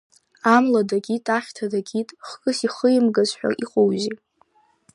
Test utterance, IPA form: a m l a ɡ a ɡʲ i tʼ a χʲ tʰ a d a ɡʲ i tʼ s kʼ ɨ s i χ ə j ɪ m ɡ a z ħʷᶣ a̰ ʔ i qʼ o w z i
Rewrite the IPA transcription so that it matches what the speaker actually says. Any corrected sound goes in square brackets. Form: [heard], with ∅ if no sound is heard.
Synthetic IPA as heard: a m l a [d] a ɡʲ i tʼ a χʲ tʰ a d a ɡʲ i tʼ [χ] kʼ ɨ s i χ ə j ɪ m ɡ a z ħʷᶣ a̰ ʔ i qʼ o w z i

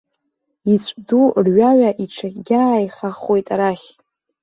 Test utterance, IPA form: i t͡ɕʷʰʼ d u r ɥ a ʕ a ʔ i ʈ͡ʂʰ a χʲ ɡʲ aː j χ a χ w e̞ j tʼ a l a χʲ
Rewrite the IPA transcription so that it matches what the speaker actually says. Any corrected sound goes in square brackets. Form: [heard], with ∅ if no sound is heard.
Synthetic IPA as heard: i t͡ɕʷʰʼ d u r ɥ a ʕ a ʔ i ʈ͡ʂʰ a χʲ ɡʲ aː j χ a χ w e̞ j tʼ a [ɾ] a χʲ

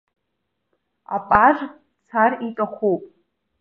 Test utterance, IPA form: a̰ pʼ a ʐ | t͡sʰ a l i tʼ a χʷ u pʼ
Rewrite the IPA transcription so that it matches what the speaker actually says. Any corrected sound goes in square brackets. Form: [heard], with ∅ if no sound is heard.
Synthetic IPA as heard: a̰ pʼ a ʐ | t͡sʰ a [r] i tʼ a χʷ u pʼ

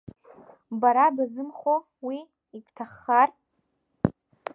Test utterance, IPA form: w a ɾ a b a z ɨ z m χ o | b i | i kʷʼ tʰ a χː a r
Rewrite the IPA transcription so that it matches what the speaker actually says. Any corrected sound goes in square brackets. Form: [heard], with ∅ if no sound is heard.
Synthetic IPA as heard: [b] a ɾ a b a z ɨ [∅] m χ o | [w] i | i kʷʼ tʰ a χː a r

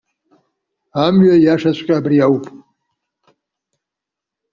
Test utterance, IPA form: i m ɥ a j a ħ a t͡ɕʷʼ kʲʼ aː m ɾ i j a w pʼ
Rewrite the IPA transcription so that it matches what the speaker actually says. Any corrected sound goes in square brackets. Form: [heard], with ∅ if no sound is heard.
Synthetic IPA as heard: [a] m ɥ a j a [ʂ] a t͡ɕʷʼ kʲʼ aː [b] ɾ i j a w pʼ

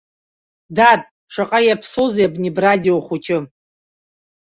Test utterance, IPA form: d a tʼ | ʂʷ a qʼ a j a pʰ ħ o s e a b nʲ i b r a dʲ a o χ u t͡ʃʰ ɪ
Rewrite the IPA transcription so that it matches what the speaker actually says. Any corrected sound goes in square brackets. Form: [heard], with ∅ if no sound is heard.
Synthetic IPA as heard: d a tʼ | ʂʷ a qʼ a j a pʰ [s] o [z] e a b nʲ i b r a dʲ [i] o χ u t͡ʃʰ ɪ

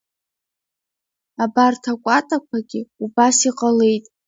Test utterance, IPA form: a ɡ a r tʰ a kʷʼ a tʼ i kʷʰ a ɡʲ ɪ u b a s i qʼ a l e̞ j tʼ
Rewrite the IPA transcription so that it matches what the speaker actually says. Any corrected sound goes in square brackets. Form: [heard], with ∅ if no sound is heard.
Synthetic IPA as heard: a [b] a r tʰ a kʷʼ a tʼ [a] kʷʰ a ɡʲ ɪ u b a s i qʼ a l e̞ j tʼ

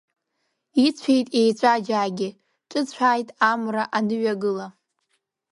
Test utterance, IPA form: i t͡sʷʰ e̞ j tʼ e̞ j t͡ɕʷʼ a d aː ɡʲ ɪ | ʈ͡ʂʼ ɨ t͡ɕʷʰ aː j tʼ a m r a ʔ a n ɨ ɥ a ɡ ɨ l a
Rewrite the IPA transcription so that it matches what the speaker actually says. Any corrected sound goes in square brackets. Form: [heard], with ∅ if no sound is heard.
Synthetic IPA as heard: i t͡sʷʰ e̞ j tʼ e̞ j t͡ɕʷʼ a [d͡ʒ] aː ɡʲ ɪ | ʈ͡ʂʼ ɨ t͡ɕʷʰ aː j tʼ a m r a ʔ a n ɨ ɥ a ɡ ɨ l a

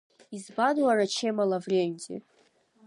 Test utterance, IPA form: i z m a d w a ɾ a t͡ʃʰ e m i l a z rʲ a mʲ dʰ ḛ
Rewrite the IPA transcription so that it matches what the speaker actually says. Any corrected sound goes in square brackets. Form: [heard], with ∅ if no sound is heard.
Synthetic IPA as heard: i z [b] a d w a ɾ a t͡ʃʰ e m [a] l a [v] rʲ [e] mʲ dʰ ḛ

